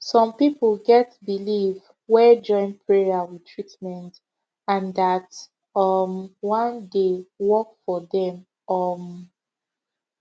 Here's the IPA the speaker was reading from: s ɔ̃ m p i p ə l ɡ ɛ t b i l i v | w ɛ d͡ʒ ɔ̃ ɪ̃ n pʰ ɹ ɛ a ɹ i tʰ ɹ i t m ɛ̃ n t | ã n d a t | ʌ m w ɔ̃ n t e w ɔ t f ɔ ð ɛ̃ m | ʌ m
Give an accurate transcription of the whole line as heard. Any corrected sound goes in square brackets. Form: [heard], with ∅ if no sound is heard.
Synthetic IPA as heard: s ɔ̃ m p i p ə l ɡ ɛ t b i l i v | w ɛ d͡ʒ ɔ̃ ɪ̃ n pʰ ɹ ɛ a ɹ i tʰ ɹ i t m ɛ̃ n t | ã n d a t | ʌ m w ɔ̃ n [d] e w ɔ [k] f ɔ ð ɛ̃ m | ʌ m